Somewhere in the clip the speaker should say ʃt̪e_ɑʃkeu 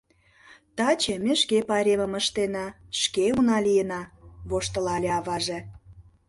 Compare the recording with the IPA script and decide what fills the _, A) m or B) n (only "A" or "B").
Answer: B